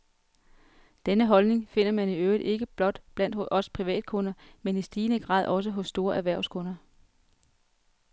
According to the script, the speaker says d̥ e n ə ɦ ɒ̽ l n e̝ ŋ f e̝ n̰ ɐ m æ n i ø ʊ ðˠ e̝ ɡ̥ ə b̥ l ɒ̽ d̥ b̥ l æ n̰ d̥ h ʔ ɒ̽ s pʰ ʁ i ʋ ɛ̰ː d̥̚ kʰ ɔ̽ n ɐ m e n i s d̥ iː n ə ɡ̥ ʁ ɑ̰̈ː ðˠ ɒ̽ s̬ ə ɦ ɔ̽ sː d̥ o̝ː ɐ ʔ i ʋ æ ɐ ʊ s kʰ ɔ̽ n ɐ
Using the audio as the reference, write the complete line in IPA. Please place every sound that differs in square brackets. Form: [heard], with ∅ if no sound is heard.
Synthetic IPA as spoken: d̥ e n ə ɦ ɒ̽ l n e̝ ŋ f e̝ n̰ ɐ m æ n i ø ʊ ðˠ e̝ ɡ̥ ə b̥ l ɒ̽ d̥ b̥ l æ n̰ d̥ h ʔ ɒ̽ s pʰ ʁ i ʋ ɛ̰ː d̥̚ kʰ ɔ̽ n ɐ m e n i s d̥ iː n ə ɡ̥ ʁ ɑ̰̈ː ðˠ ɒ̽ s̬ ə ɦ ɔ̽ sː d̥ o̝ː ɐ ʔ [æ] ʋ æ ɐ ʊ s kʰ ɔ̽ n ɐ